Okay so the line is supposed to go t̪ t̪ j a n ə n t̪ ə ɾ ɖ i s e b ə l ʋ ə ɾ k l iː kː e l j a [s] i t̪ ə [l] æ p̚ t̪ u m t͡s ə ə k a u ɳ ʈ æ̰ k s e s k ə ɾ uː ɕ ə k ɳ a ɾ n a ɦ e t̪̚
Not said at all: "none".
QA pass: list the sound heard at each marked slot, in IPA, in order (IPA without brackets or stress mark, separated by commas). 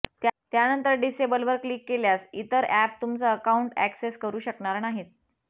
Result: s, ɾ